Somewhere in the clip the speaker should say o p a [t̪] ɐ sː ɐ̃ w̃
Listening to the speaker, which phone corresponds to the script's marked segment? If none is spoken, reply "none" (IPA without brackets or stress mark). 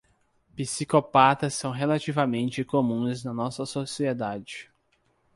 t̪